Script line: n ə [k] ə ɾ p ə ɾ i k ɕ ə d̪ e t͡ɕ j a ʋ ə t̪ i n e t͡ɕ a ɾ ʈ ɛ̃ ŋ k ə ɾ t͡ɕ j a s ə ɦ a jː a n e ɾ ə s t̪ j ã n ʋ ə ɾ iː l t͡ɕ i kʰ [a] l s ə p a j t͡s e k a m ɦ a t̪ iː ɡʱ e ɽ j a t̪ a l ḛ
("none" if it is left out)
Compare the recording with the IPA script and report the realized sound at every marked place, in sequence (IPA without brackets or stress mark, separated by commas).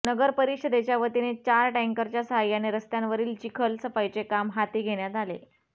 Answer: ɡ, ə